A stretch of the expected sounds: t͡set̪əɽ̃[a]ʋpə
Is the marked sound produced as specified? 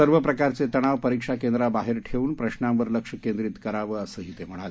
yes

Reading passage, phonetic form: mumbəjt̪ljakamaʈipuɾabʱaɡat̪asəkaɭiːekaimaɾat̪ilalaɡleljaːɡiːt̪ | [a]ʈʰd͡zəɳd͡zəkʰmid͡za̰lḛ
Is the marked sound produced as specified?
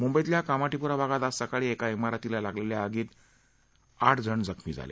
yes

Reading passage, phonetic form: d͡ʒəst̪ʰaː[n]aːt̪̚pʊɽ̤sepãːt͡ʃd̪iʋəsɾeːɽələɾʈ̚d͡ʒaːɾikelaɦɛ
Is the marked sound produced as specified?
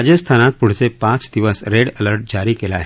yes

